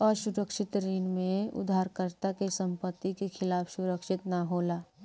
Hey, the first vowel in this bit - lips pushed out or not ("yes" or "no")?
yes